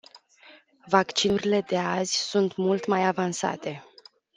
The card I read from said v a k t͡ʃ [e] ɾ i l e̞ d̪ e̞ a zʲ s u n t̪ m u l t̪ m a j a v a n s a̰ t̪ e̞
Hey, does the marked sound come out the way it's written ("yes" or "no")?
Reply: no